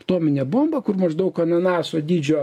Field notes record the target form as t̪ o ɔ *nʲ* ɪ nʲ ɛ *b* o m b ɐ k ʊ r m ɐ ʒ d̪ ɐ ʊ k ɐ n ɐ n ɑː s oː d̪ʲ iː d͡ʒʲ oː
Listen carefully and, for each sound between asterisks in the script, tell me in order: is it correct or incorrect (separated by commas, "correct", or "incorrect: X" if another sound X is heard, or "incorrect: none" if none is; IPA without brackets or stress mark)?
incorrect: mʲ, correct